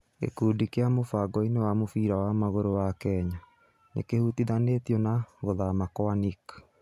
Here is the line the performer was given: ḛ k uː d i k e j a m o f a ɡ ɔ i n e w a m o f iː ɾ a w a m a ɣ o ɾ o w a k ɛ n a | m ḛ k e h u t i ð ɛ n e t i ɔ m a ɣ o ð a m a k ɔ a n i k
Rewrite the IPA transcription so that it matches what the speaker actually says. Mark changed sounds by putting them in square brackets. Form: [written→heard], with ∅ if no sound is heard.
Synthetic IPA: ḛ k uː d i k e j a m o f a ɡ ɔ i n e w a m o f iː ɾ a w a m a ɣ o ɾ o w a k ɛ [n→ɲ] a | [m→n] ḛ k e h u t i ð [ɛ→a] n e t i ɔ [m→n] a ɣ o ð a m a k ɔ a n i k